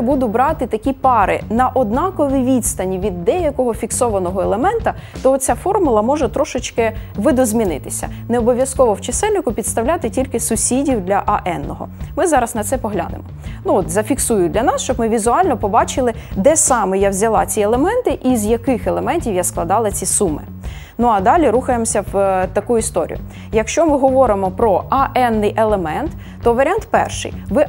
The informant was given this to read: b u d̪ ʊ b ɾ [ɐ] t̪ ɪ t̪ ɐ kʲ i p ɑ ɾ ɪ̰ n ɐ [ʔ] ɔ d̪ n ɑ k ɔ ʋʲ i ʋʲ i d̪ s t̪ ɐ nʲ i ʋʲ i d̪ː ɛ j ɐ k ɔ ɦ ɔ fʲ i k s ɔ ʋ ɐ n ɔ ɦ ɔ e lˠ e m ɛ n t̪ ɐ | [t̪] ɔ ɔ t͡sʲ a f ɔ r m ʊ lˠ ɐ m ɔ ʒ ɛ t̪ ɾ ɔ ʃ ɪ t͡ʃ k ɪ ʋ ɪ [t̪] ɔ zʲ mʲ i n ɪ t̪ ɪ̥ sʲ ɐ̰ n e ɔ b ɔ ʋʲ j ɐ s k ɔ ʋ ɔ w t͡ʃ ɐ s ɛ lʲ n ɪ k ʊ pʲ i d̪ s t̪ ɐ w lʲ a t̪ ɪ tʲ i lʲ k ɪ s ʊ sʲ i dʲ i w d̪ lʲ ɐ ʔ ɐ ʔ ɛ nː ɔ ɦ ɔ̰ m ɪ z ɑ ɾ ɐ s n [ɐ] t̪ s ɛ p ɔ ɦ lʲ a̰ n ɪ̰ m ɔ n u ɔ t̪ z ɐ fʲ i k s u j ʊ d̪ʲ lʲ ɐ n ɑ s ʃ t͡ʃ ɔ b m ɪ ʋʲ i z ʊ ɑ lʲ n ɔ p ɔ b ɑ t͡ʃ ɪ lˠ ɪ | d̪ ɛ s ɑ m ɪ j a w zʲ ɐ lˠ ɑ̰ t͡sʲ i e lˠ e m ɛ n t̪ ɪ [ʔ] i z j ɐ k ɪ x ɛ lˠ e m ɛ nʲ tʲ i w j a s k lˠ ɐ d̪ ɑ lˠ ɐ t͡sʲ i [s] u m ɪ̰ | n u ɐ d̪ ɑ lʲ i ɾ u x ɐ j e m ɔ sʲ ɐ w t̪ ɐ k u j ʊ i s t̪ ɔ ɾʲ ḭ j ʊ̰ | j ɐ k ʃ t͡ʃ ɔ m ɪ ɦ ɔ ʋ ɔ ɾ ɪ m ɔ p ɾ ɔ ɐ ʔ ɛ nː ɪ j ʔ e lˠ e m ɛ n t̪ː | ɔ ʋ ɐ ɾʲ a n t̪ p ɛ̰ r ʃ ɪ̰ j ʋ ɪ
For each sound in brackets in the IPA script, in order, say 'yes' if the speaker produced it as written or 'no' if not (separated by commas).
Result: no, yes, yes, no, yes, yes, yes